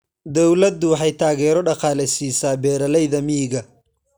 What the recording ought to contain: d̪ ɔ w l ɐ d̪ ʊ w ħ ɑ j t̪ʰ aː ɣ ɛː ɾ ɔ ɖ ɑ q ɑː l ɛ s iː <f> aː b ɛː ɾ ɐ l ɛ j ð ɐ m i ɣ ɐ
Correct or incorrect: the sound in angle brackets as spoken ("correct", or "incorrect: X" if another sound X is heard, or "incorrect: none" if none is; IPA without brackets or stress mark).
incorrect: s